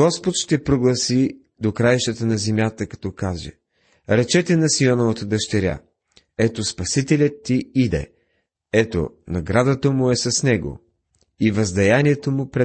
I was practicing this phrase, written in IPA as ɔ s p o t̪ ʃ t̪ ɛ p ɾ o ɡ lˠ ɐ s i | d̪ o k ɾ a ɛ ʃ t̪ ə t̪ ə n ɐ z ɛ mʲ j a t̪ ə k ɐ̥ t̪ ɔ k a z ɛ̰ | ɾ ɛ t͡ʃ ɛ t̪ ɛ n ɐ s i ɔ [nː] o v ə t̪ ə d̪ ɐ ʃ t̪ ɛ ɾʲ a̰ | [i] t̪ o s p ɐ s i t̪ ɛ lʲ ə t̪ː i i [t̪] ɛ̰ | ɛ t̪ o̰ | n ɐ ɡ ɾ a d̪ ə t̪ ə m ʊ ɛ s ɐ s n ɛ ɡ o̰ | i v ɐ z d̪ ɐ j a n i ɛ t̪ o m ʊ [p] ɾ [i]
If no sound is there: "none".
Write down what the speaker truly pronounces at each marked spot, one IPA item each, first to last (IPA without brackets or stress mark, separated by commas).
n, ɛ, d̪, p, ɛ